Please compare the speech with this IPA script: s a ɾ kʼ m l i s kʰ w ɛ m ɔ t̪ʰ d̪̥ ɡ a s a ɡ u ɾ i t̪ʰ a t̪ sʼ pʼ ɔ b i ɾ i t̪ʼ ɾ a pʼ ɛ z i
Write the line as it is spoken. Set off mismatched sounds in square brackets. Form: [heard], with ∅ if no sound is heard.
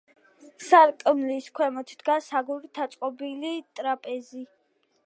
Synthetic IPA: s a ɾ kʼ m l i s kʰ w ɛ m ɔ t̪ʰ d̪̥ ɡ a s a ɡ u ɾ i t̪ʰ a t̪ sʼ [qʼ] ɔ b i [l] i t̪ʼ ɾ a pʼ ɛ z i